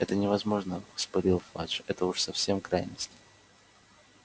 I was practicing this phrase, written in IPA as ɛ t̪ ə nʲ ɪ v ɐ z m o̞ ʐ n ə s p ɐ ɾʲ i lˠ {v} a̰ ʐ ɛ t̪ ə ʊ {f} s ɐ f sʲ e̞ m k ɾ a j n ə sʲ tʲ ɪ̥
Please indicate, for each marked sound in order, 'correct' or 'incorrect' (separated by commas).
incorrect, incorrect